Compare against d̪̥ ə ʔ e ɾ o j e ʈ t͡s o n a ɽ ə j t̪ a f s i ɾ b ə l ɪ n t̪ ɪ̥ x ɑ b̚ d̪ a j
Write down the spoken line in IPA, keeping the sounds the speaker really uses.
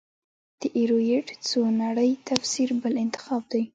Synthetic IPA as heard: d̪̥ ə ʔ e ɾ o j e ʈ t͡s o n a ɽ ə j t̪ a f s i ɾ b ə l ɪ n t̪ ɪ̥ x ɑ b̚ d̪ a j